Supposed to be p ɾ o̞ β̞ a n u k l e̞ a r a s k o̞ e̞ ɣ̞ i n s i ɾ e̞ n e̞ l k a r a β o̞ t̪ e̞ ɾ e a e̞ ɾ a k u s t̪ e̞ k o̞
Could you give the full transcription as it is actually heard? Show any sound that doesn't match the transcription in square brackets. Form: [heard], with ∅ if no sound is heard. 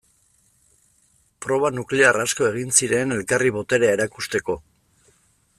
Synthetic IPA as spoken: p ɾ o̞ β̞ a n u k l e̞ a r a s k o̞ e̞ ɣ̞ i n s i ɾ e̞ n e̞ l k a r [i] β o̞ t̪ e̞ ɾ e a e̞ ɾ a k u s t̪ e̞ k o̞